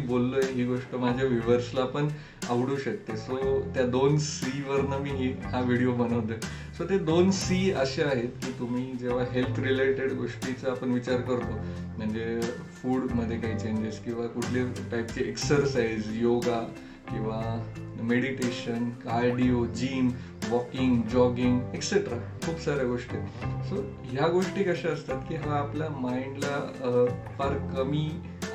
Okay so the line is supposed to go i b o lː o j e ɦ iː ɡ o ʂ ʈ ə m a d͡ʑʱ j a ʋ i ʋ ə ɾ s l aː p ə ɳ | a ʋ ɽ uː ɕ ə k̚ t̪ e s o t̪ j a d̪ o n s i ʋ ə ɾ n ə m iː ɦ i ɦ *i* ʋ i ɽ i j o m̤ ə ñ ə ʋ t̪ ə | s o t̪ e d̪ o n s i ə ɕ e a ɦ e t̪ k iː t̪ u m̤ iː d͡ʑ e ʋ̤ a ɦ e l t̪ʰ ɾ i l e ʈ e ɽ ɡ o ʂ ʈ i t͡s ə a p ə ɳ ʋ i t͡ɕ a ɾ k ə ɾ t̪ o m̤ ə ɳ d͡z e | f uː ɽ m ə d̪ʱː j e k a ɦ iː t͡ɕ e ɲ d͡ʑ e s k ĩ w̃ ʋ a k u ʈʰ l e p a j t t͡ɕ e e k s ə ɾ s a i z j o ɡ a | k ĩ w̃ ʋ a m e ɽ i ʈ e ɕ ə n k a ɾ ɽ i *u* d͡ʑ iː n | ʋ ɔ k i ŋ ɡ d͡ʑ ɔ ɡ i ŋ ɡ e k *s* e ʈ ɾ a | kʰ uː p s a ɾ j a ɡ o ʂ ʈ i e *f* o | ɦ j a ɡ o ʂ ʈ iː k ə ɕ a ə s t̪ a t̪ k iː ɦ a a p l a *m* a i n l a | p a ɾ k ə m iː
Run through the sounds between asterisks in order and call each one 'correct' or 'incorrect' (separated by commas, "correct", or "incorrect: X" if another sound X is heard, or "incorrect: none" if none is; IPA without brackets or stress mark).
incorrect: a, incorrect: o, correct, incorrect: s, correct